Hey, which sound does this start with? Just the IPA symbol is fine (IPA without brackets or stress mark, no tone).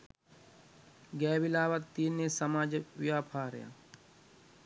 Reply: ɡ